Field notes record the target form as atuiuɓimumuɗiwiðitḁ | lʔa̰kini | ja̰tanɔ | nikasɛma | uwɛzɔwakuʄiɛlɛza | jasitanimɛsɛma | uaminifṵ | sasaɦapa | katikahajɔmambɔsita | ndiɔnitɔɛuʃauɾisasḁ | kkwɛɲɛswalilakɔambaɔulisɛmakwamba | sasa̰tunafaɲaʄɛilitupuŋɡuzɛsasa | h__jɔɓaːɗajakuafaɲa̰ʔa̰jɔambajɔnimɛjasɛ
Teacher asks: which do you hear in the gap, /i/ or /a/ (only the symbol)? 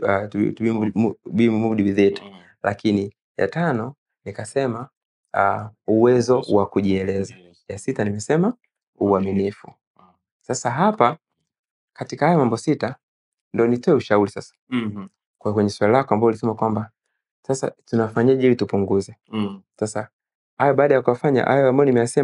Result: a